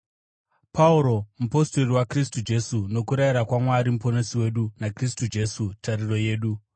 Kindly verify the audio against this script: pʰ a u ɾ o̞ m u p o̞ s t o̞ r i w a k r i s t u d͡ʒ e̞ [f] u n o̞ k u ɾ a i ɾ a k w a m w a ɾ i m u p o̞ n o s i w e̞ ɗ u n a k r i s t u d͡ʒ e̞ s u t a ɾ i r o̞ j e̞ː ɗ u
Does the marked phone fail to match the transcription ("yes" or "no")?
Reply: yes